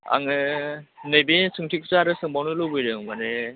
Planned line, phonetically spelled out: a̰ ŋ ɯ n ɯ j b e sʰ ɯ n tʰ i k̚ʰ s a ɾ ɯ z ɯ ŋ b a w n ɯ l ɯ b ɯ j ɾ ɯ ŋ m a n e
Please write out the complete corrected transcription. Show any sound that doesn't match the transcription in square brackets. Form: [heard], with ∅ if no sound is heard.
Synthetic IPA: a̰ ŋ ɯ n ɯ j b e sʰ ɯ [ŋ] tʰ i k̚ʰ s a ɾ ɯ [s] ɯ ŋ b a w n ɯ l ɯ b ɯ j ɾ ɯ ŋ m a n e